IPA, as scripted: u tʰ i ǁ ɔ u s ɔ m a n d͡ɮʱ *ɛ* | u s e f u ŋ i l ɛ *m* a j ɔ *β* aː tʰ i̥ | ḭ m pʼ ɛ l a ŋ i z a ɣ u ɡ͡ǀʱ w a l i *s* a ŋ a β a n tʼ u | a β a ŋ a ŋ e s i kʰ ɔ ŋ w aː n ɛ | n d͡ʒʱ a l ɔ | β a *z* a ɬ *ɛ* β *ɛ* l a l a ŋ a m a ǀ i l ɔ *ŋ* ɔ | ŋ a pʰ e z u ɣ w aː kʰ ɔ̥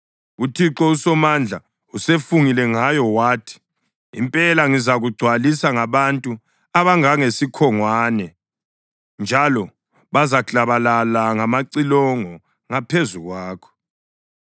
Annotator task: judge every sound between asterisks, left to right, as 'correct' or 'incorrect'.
incorrect: a, incorrect: ŋ, incorrect: w, correct, correct, incorrect: a, incorrect: a, correct

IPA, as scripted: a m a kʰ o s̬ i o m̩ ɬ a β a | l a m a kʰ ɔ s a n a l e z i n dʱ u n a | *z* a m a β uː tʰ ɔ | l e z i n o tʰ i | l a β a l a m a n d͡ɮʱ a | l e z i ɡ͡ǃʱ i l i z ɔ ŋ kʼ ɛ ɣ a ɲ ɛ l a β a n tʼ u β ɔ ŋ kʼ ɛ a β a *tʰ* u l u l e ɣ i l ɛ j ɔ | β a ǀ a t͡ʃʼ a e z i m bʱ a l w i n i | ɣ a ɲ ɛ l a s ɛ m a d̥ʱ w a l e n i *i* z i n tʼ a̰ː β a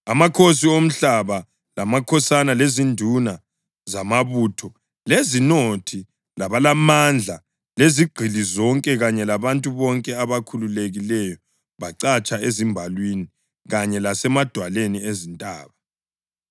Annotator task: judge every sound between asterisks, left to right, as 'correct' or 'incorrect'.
correct, incorrect: kʰ, incorrect: e

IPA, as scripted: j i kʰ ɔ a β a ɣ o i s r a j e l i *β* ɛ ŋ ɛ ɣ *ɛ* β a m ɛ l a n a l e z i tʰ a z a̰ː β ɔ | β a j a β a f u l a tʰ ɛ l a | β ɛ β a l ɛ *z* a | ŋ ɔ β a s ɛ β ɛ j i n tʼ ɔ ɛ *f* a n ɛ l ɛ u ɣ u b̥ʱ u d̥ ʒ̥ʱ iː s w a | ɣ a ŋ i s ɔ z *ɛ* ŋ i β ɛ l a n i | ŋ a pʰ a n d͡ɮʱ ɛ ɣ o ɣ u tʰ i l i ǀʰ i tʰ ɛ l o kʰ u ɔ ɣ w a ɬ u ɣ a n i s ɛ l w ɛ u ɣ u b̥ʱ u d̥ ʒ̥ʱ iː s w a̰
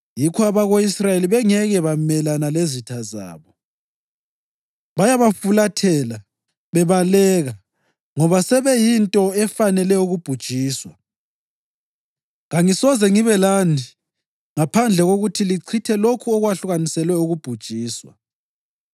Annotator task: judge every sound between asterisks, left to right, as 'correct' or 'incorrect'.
correct, correct, incorrect: ɣ, correct, correct

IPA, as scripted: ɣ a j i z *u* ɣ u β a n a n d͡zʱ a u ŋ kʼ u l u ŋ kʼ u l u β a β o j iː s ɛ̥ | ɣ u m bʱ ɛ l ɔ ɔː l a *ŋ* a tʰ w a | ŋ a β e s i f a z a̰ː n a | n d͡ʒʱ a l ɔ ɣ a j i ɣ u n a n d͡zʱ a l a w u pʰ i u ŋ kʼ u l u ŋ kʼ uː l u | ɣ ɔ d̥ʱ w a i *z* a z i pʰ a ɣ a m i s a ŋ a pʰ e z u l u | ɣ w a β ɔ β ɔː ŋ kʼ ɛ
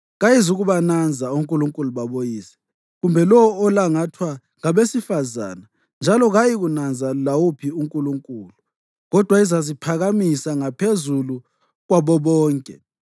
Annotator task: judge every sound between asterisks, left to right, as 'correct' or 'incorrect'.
correct, correct, correct

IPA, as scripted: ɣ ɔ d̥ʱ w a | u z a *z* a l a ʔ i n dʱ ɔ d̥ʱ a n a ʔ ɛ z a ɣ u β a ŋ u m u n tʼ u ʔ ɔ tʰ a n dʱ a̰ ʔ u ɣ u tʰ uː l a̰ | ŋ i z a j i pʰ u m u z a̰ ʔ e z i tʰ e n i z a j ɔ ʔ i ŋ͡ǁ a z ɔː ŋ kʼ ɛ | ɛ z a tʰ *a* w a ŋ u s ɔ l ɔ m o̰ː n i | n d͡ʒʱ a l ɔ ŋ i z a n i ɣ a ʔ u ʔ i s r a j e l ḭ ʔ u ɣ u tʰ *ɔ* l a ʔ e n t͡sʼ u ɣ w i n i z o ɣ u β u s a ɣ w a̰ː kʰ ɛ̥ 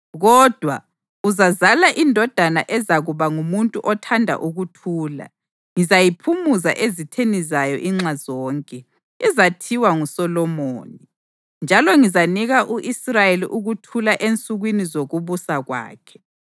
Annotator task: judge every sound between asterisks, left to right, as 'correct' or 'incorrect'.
correct, incorrect: i, incorrect: u

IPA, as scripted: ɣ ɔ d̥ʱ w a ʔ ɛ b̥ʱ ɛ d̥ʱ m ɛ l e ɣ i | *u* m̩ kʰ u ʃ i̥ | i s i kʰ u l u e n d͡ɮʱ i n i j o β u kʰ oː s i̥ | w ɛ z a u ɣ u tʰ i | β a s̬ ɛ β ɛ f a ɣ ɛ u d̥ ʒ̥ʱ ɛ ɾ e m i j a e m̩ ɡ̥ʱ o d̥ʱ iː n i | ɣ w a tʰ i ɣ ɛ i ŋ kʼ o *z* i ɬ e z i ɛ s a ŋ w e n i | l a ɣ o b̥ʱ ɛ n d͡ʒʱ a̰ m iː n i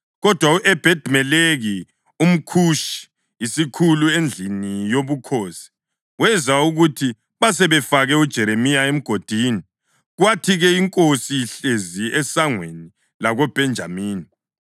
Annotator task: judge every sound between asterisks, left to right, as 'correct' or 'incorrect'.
correct, incorrect: s

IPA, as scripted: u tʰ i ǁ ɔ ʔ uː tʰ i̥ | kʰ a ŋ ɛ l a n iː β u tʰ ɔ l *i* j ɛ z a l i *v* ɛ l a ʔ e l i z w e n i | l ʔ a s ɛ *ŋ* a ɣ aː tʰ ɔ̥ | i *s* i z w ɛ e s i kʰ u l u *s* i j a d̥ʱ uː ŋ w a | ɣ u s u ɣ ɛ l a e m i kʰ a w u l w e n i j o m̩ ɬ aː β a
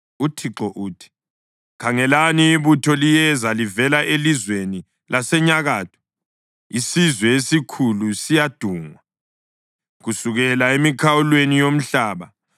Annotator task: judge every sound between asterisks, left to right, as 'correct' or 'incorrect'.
correct, correct, incorrect: ɲ, correct, correct

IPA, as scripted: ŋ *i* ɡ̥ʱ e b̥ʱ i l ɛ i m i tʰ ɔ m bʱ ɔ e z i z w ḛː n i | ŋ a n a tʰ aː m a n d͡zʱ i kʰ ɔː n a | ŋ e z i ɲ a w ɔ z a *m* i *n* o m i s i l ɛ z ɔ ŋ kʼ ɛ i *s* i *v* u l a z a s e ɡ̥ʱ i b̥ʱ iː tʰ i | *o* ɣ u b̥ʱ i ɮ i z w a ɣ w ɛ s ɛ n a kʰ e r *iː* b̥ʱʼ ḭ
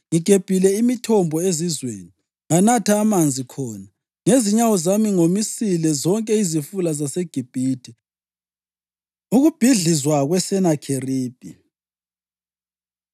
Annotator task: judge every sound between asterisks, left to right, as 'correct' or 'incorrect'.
correct, correct, incorrect: ŋ, incorrect: z, incorrect: f, incorrect: u, correct

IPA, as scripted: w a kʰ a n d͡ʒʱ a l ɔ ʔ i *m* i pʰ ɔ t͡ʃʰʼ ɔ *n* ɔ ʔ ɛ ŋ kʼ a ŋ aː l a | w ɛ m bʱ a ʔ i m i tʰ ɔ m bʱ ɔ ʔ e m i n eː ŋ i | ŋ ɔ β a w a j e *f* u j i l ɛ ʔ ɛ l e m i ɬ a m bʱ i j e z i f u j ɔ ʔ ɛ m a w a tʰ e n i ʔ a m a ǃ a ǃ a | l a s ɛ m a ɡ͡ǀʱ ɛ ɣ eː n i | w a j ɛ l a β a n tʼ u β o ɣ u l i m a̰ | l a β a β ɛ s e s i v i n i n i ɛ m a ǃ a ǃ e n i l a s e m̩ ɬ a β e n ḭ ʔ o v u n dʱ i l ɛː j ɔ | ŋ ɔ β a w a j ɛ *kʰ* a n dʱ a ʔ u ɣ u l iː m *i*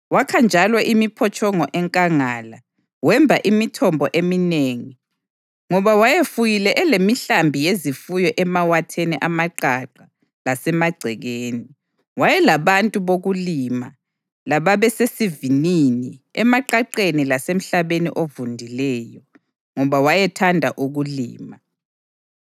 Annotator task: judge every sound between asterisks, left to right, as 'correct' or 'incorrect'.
correct, incorrect: ŋ, correct, incorrect: tʰ, incorrect: a

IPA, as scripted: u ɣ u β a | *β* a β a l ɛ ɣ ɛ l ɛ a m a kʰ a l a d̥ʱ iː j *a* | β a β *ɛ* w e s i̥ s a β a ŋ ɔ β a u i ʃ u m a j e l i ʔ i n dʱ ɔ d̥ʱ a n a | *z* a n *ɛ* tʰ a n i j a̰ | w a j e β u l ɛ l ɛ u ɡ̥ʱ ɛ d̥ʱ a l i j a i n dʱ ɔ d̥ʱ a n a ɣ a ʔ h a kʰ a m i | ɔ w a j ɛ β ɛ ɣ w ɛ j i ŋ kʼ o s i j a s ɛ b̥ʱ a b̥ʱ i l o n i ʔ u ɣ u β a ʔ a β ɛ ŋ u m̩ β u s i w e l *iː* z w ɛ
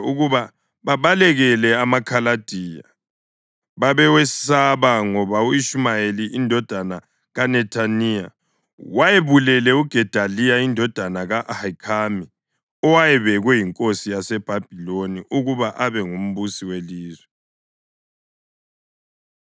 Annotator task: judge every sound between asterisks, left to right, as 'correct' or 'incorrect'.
correct, correct, correct, incorrect: ɣ, correct, correct

